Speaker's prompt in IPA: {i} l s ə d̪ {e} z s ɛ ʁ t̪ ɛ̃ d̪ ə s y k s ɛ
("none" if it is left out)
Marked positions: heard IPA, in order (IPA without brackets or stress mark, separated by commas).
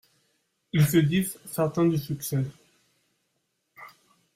i, i